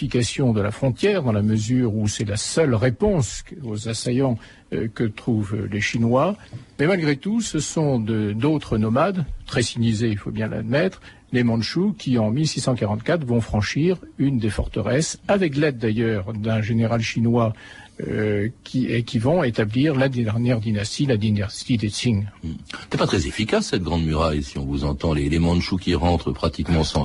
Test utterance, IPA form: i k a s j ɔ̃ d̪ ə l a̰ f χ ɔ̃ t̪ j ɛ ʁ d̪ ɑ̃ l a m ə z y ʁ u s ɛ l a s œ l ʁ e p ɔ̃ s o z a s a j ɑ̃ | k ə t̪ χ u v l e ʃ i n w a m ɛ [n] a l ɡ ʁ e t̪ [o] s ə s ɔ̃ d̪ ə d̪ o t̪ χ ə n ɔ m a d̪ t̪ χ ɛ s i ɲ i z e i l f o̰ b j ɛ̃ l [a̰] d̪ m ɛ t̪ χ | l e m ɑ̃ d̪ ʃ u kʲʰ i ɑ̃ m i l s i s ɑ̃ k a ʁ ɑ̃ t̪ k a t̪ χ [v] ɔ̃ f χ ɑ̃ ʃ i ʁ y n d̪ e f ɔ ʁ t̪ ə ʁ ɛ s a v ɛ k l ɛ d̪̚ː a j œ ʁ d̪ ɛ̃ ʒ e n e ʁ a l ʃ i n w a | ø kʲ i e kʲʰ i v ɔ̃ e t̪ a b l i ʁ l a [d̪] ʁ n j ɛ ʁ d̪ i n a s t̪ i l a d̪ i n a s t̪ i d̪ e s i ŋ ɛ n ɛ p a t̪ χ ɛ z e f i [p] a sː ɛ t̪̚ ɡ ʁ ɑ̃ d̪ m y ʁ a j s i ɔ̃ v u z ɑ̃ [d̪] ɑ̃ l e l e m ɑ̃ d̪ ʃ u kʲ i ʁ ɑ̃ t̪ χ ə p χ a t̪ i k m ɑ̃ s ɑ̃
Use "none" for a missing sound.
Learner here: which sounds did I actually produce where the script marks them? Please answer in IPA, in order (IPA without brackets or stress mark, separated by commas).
m, u, a̰, v, d̪, k, t̪